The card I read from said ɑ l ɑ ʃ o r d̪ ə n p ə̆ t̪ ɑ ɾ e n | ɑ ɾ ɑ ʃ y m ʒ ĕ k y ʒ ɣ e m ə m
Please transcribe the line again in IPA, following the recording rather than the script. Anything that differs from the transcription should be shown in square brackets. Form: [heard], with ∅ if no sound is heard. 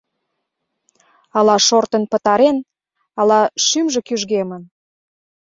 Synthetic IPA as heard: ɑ l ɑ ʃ o r [t̪] ə n p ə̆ t̪ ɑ ɾ e n | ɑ [l] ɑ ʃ y m ʒ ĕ k y ʒ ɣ e m ə [n]

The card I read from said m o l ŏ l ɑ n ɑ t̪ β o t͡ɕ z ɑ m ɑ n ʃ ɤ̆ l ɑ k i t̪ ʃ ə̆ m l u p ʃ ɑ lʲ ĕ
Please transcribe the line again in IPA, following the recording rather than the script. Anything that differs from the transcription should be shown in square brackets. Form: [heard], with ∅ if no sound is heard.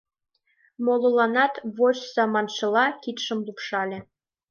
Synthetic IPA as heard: m o l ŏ l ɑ n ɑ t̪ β o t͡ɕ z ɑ m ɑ n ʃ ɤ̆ l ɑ k i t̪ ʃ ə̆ m l u p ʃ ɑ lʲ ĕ

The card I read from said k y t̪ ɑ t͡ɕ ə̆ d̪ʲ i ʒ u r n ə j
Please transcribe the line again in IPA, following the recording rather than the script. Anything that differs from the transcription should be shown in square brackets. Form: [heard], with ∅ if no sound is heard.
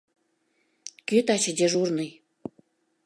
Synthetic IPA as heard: k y t̪ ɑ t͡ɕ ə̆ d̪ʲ [e] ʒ u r n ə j

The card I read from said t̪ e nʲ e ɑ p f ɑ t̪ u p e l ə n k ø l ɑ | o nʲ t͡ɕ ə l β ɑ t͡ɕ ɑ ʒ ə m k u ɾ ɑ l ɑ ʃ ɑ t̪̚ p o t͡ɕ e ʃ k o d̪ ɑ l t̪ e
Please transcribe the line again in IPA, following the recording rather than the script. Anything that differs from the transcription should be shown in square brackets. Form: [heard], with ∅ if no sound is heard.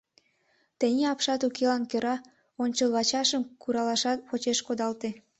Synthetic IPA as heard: t̪ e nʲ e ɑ p [ʃ] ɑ t̪ u [k] e l [ɑ] n k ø [ɾ] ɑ | o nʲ t͡ɕ ə l β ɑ t͡ɕ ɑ [ʃ] ə m k u ɾ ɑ l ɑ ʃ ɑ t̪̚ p o t͡ɕ e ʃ k o d̪ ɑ l t̪ e

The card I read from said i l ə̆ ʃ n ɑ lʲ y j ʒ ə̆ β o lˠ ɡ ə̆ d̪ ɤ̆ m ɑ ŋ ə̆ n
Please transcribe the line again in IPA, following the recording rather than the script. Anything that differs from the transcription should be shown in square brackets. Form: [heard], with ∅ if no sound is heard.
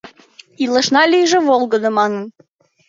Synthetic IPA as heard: i l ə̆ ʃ n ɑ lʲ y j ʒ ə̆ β o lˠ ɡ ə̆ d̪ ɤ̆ m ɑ [n] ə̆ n

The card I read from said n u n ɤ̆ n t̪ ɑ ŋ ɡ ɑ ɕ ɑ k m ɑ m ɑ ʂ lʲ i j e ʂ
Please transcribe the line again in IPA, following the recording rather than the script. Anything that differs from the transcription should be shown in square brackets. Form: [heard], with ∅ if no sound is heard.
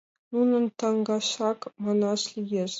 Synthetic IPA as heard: n u n ɤ̆ n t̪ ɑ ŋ ɡ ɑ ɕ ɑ k m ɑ [n] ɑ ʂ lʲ i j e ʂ

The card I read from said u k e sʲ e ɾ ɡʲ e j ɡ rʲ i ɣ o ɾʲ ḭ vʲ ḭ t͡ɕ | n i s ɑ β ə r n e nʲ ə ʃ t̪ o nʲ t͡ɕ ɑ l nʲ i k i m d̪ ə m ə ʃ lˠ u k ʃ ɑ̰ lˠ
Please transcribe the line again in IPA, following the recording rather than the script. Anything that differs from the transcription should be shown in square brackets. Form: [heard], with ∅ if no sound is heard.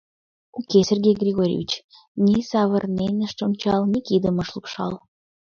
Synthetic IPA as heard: u k e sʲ e [r] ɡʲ e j ɡ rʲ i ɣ o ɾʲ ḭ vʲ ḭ t͡ɕ | n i s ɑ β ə r n e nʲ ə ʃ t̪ o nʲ t͡ɕ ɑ l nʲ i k i [∅] d̪ ə m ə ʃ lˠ u k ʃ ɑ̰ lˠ

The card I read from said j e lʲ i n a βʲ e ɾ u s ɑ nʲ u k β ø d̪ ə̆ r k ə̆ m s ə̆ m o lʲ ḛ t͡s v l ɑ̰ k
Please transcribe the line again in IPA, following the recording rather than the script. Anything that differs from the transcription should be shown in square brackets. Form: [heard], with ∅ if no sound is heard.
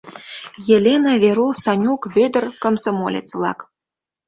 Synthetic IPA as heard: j e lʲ [e] n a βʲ e ɾ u s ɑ nʲ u k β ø d̪ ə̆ r k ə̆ m s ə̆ m o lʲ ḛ t͡s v l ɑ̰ k

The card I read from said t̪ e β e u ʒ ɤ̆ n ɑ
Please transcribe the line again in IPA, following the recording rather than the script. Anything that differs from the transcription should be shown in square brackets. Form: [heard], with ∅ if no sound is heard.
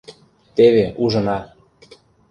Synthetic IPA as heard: t̪ e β e u ʒ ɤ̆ n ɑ

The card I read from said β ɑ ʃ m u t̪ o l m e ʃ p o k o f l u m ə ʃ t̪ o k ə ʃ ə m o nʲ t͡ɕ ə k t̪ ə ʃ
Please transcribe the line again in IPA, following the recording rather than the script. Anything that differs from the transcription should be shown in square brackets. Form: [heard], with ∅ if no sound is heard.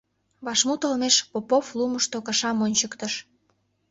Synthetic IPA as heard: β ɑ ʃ m u t̪ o l m e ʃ p o [p] o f l u m ə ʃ t̪ o k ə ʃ [ɑ] m o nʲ t͡ɕ ə k t̪ ə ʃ

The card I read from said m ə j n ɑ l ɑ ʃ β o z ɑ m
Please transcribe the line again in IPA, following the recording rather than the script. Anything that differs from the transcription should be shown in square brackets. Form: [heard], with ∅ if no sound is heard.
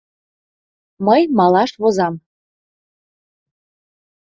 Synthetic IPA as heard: m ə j [m] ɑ l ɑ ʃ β o z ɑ m

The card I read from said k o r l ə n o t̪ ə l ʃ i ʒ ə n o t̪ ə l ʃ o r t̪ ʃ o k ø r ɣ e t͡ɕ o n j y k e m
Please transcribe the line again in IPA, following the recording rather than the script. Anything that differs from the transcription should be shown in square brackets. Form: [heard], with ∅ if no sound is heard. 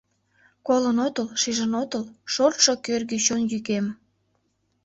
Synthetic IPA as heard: k o [∅] l ə n o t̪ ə l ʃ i ʒ ə n o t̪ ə l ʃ o r t̪ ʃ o k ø r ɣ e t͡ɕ o n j y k e m

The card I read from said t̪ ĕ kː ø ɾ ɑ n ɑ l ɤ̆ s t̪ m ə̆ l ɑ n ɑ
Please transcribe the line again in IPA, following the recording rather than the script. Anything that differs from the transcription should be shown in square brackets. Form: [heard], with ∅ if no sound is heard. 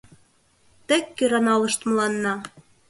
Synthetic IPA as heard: t̪ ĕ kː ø ɾ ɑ n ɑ l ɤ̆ [ʃ] t̪ m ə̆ l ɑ [nː] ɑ

